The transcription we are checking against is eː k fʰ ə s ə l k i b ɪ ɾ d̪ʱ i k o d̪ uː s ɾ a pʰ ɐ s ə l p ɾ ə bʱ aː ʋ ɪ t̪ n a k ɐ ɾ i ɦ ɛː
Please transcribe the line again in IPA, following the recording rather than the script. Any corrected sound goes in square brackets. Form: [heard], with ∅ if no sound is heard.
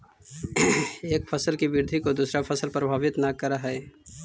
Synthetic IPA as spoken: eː k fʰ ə s ə l k i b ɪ ɾ d̪ʱ i k o d̪ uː s ɾ a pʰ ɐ s ə l p ɾ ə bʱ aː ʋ ɪ t̪ n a k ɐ ɾ [a] ɦ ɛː